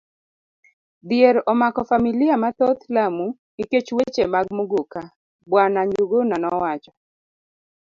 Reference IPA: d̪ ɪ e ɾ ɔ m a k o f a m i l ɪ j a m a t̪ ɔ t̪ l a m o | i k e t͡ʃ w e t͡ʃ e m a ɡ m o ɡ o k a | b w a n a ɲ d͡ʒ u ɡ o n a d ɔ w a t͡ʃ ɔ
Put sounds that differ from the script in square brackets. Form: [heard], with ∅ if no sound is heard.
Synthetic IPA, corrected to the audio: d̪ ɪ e ɾ ɔ m a k [ɔ] f a m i l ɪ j a m a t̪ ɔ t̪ l a m [u] | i k e t͡ʃ w e t͡ʃ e m a ɡ m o ɡ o k a | b w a n a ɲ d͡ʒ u ɡ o n a [n] ɔ w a t͡ʃ ɔ